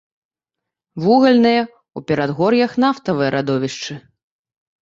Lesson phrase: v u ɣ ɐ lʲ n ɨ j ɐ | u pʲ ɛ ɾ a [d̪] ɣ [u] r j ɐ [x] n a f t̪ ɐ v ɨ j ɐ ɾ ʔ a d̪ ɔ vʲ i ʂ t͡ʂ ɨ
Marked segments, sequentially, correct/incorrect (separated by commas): correct, incorrect, correct